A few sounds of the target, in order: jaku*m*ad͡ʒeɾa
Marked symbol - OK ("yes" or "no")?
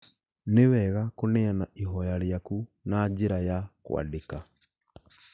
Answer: no